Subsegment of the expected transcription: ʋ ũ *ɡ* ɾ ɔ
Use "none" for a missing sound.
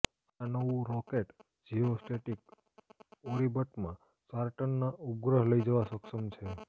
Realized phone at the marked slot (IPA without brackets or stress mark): none